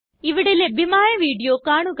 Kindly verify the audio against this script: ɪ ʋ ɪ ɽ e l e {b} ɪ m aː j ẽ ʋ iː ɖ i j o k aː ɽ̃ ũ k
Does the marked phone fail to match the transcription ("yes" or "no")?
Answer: no